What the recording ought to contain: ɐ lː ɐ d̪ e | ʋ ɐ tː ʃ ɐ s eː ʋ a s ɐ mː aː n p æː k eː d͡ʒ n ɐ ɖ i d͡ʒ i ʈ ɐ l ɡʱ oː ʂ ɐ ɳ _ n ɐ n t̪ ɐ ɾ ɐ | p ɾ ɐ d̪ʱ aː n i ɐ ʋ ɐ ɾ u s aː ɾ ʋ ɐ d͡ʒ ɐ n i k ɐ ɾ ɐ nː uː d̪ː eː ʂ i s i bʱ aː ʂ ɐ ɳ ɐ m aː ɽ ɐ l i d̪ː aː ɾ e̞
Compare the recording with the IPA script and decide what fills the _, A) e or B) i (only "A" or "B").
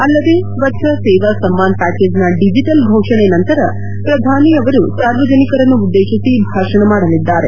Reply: A